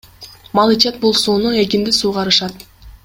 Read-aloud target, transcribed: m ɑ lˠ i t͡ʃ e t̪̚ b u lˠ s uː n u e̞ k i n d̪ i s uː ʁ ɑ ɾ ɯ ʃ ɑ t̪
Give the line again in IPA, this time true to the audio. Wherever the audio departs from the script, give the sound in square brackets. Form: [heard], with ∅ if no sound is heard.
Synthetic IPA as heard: m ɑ lˠ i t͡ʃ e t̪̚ b u lˠ s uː n u e̞ k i n d̪ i s uː ʁ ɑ ɾ ɯ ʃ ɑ t̪